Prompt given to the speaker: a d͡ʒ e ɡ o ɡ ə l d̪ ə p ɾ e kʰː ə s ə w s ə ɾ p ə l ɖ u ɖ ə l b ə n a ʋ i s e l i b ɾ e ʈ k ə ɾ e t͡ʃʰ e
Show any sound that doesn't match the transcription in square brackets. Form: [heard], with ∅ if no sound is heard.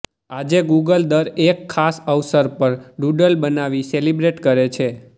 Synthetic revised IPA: a d͡ʒ e ɡ [u] ɡ ə l d̪ ə [∅] ɾ e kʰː [a] s ə [ʋ] s ə ɾ p ə [ɾ] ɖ u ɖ ə l b ə n a ʋ i s e l i b ɾ e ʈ k ə ɾ e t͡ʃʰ e